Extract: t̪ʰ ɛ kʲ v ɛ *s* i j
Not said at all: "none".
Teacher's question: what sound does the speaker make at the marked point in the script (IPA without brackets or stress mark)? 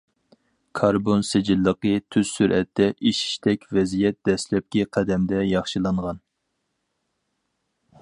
z